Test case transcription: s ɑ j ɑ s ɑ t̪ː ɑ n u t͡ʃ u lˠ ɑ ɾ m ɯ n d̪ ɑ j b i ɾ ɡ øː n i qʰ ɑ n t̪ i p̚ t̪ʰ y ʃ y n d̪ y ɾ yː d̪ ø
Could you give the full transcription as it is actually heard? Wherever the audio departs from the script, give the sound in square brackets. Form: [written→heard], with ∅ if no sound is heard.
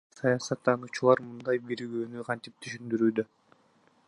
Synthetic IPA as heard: s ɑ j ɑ s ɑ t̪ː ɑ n u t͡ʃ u lˠ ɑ ɾ m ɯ n d̪ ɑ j b i ɾ ɡ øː n [i→y] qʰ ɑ n t̪ i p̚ t̪ʰ y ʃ y n d̪ y ɾ yː d̪ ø